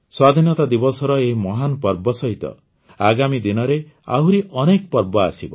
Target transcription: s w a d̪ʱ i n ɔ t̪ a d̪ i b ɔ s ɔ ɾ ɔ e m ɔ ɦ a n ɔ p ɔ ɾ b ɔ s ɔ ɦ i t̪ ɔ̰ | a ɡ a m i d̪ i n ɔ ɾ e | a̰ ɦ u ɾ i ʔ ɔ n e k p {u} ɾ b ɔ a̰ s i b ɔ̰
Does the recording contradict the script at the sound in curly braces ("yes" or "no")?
yes